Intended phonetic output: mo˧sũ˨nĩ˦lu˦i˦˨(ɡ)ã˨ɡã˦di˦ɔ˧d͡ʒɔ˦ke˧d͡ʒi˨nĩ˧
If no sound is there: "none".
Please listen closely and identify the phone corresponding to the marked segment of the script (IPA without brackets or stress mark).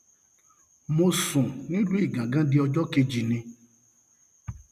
ɡ